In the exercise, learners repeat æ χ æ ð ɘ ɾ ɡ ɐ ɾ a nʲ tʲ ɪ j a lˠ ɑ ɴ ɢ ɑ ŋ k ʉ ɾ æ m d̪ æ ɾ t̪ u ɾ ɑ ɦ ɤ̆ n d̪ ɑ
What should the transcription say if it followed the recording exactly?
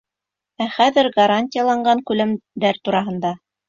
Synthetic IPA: æ χ æ ð ɘ ɾ ɡ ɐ ɾ a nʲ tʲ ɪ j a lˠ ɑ ɴ ɢ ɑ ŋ k ʉ l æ m d̪ æ ɾ t̪ u ɾ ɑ ɦ ɤ̆ n d̪ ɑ

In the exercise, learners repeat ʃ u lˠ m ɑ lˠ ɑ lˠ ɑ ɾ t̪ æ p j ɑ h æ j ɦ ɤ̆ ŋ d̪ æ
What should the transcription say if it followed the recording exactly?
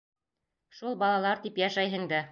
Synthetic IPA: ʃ u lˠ b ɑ lˠ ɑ lˠ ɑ ɾ t̪ i p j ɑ ʃ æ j ɦ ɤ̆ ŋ d̪ æ

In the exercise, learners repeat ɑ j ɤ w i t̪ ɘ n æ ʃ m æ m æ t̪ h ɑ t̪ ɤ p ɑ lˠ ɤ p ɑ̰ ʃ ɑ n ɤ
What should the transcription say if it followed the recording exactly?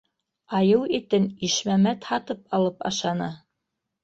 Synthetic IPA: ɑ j ɤ w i t̪ ɘ n i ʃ m æ m æ t̪ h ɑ t̪ ɤ p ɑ lˠ ɤ p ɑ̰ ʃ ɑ n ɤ

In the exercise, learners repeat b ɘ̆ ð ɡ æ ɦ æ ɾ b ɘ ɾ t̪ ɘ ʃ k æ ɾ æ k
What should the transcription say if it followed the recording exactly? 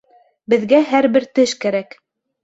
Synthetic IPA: b ɘ̆ ð ɡ æ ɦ æ ɾ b ɘ ɾ t̪ ɘ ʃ k æ ɾ æ k

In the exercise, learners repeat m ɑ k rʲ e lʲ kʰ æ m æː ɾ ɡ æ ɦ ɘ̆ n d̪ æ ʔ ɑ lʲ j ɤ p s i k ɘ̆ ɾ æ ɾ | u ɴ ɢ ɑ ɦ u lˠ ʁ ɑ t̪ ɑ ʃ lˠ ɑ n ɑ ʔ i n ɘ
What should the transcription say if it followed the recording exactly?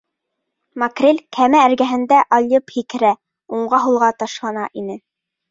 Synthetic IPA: m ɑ k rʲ e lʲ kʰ æ m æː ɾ ɡ æ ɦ ɘ̆ n d̪ æ ʔ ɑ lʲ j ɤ p h i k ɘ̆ ɾ æ | u ɴ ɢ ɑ ɦ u lˠ ʁ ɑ t̪ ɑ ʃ lˠ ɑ n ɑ ʔ i n ɘ

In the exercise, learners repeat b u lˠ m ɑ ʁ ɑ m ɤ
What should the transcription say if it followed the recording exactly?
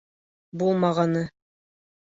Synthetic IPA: b u lˠ m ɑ ʁ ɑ n ɤ

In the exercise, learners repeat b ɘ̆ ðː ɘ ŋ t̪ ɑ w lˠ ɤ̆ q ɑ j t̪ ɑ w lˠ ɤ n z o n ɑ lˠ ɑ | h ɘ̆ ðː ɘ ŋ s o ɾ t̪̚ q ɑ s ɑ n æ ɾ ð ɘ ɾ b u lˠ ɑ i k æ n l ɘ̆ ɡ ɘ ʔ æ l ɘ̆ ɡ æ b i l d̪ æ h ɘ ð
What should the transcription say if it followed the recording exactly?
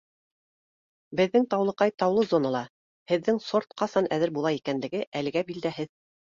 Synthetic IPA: b ɘ̆ ðː ɘ ŋ t̪ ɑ w lˠ ɤ̆ q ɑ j t̪ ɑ w lˠ ɤ z o n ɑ lˠ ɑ | h ɘ̆ ðː ɘ ŋ s o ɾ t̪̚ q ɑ s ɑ n æ ð ɘ ɾ b u lˠ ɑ i k æ n l ɘ̆ ɡ ɘ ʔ æ l ɘ̆ ɡ æ b i l d̪ æ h ɘ ð

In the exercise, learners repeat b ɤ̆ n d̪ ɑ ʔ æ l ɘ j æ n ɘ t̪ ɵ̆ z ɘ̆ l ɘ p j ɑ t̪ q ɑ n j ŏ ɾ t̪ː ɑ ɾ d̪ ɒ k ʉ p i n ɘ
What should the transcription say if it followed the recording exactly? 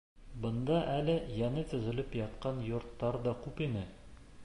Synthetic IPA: b ɤ̆ n d̪ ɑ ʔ æ l ɘ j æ n ɘ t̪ ɵ̆ z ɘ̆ l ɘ p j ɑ t̪ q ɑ n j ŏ ɾ t̪ː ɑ ɾ d̪ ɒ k ʉ p i n ɘ

